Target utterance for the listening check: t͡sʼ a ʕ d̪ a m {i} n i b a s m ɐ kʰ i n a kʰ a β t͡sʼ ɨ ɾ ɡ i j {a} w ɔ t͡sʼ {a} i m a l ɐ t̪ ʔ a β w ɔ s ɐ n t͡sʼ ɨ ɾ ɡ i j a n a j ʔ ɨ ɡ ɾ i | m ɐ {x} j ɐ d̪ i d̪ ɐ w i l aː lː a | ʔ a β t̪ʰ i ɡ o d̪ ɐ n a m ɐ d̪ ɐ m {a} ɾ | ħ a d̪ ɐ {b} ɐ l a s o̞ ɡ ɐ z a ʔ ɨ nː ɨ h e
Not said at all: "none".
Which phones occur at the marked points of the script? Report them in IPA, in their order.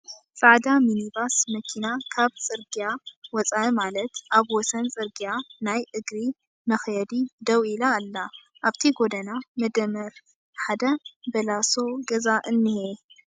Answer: i, a, a, x, ɐ, b

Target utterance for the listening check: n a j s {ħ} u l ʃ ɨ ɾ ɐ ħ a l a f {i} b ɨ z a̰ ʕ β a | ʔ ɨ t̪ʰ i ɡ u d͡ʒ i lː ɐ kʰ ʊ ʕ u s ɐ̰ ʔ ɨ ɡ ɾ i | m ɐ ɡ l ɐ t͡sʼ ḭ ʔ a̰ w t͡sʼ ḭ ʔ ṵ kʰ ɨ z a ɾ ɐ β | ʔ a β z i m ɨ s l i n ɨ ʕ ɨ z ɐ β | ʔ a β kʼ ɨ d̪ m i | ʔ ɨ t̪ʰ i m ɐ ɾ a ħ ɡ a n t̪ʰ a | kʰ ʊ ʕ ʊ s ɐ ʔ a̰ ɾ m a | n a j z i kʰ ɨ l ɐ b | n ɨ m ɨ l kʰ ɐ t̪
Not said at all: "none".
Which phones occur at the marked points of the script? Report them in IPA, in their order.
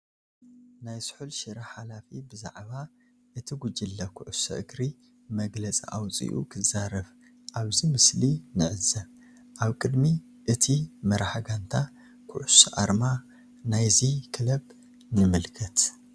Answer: ħ, i

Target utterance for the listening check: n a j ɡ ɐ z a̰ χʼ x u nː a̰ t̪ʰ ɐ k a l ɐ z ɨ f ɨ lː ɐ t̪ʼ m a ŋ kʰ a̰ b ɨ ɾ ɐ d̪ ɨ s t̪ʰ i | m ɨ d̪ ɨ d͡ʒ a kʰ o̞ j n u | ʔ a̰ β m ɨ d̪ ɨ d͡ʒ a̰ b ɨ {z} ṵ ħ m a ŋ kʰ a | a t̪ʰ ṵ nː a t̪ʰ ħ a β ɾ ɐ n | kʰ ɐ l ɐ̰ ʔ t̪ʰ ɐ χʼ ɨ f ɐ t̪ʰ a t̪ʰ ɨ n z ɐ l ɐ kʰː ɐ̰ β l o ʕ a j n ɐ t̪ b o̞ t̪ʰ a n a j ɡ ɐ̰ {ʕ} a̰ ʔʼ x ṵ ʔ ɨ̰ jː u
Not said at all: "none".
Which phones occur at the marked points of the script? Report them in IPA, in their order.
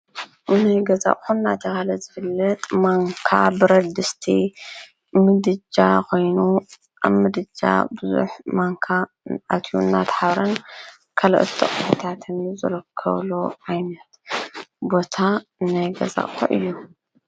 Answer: z, z

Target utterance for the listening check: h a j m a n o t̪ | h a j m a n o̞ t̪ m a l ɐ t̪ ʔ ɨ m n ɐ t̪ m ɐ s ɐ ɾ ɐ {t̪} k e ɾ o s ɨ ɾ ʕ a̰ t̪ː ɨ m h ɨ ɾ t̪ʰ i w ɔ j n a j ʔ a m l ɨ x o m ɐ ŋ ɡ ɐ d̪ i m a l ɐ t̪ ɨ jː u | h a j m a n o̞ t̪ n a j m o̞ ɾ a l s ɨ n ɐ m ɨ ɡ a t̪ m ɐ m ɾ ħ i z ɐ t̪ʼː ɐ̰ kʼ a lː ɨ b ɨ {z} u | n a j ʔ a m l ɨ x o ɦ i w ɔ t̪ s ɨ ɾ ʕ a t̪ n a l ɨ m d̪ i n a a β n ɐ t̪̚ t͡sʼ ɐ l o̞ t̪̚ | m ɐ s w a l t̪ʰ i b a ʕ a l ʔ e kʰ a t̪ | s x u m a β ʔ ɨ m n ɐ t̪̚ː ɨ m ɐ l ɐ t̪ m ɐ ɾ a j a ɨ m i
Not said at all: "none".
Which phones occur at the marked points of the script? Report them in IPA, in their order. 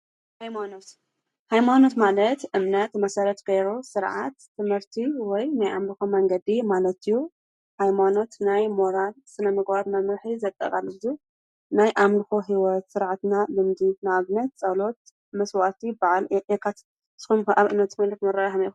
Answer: t̪, z

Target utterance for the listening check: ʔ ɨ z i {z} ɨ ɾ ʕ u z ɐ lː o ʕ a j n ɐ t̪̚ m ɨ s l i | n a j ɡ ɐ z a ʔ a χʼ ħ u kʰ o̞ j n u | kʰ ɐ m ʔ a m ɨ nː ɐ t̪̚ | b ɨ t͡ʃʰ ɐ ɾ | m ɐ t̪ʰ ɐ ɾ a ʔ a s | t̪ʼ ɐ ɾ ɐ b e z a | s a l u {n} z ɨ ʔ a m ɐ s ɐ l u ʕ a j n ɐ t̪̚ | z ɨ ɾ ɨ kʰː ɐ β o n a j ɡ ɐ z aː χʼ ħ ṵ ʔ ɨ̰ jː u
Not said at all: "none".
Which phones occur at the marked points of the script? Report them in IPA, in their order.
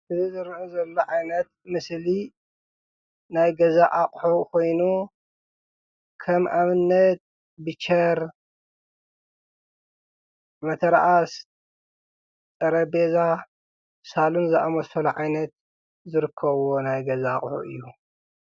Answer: z, n

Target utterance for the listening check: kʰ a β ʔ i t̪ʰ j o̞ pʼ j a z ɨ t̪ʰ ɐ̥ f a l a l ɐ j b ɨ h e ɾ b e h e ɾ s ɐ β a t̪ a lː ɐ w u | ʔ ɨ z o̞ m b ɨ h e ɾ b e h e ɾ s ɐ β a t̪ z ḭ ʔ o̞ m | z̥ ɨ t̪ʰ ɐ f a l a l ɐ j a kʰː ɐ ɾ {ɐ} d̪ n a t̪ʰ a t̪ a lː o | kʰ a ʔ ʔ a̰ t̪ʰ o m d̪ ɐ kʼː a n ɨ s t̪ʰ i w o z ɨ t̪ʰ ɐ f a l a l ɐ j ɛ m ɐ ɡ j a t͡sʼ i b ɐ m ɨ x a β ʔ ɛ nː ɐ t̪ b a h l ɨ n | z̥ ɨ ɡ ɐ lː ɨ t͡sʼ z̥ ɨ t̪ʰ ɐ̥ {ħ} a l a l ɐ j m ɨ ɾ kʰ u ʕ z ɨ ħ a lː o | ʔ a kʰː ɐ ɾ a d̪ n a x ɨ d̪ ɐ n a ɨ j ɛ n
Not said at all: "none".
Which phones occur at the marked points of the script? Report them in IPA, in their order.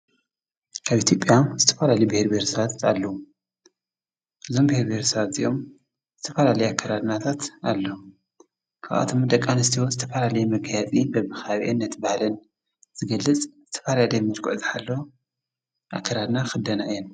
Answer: a, f

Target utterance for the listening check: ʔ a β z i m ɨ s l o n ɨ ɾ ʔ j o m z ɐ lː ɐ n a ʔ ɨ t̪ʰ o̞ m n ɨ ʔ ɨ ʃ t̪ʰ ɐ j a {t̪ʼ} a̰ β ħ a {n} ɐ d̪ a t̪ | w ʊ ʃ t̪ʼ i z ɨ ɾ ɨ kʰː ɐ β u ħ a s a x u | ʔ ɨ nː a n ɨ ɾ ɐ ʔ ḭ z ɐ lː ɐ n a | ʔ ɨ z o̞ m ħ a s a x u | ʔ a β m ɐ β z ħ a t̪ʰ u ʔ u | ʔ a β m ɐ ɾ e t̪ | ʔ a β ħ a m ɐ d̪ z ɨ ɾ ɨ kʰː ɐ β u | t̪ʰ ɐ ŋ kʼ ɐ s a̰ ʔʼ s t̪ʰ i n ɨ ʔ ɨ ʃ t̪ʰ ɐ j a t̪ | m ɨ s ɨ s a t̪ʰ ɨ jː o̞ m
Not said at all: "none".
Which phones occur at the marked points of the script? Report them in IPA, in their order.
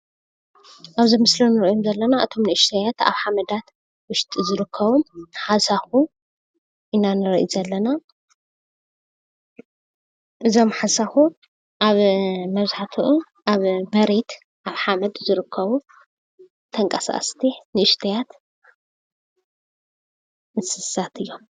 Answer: t̪, m

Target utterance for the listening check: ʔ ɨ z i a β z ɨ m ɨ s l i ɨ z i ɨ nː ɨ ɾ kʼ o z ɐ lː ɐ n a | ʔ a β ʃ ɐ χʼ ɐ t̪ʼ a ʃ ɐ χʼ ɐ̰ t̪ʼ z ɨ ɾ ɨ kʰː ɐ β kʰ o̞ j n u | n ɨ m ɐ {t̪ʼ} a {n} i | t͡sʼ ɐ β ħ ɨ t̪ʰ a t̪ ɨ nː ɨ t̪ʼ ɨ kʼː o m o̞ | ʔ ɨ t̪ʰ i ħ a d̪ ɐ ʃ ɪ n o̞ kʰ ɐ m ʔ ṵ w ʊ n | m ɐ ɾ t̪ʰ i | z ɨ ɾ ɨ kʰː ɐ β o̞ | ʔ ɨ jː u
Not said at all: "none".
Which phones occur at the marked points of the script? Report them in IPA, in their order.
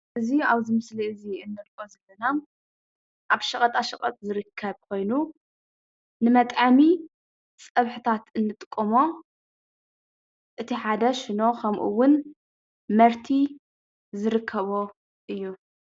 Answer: t̪ʼ, m

